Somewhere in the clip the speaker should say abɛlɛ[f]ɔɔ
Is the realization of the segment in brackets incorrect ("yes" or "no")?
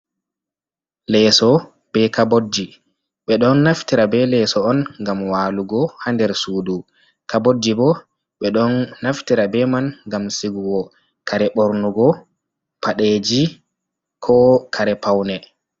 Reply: yes